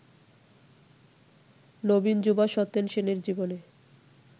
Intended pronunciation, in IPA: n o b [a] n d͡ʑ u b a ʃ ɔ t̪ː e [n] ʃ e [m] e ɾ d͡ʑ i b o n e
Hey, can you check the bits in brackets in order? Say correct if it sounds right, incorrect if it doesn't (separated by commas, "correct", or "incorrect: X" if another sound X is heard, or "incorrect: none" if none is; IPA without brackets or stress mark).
incorrect: i, correct, incorrect: n